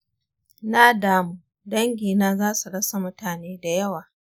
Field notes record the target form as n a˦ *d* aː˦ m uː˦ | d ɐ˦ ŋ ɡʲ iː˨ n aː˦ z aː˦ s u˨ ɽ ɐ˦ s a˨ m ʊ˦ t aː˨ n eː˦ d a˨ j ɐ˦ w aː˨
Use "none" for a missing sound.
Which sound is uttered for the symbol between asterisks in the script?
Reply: d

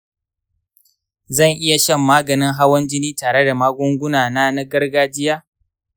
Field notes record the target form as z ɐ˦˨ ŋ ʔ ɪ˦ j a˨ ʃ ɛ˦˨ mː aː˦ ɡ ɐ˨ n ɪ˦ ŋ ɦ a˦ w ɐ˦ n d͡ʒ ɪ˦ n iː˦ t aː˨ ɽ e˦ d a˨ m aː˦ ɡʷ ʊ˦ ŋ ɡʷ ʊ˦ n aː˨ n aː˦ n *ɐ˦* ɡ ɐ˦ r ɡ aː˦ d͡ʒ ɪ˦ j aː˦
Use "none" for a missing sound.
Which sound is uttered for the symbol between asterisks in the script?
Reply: a˦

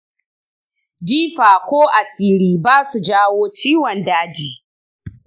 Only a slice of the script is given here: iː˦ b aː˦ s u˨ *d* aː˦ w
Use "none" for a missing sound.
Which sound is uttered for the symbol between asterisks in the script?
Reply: d͡ʒ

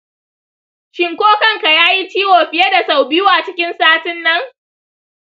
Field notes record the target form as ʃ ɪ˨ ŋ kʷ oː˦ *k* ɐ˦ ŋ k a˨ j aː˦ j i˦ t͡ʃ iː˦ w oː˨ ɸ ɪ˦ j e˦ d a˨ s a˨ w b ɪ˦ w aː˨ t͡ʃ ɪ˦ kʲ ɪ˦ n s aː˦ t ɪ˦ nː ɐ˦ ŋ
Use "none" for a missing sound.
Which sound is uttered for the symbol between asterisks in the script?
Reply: k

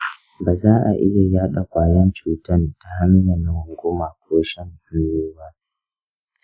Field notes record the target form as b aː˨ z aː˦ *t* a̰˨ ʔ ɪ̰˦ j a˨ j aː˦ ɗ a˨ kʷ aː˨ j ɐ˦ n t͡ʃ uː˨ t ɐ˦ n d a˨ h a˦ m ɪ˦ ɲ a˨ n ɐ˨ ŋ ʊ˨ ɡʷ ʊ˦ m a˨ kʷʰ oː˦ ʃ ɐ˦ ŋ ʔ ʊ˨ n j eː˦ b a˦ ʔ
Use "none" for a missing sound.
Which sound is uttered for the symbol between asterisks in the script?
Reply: ʔ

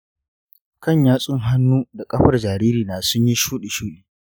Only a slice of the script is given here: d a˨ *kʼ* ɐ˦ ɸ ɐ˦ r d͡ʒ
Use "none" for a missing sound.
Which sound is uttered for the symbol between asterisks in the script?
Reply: kʼ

